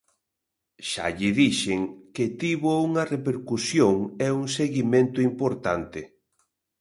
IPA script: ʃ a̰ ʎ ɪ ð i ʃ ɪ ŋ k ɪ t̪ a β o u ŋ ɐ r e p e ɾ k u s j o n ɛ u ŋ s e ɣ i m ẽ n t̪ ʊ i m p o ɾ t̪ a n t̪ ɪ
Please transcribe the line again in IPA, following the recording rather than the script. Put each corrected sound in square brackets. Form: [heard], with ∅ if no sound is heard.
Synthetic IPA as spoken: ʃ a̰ ʎ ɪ ð i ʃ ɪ ŋ k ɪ t̪ [i] β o u ŋ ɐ r e p e ɾ k u s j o [ŋ] ɛ u ŋ s e ɣ i m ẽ n t̪ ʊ i m p o ɾ t̪ a n t̪ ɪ